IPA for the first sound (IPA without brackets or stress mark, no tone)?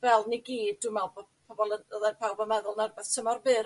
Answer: v